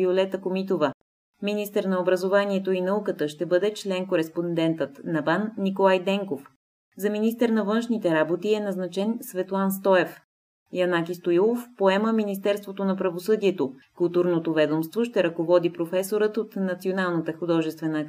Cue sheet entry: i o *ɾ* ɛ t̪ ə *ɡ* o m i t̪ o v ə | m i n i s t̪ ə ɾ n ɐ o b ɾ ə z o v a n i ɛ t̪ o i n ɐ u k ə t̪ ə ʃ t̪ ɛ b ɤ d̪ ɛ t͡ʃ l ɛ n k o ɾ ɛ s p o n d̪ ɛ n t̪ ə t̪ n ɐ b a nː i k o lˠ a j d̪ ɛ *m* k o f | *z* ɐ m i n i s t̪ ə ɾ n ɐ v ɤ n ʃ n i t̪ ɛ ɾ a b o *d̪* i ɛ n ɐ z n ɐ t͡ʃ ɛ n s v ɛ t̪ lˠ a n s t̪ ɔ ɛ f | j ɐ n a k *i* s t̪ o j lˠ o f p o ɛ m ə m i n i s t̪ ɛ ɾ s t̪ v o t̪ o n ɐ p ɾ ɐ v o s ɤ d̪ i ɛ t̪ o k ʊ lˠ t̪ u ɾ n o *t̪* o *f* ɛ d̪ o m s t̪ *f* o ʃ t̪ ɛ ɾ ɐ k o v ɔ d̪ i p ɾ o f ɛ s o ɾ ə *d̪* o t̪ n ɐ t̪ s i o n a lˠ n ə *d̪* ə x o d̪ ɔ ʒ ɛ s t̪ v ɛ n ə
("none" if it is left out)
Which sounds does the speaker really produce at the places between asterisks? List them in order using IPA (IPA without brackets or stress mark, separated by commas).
l, k, ŋ, z, t̪, i, t̪, v, v, t̪, t̪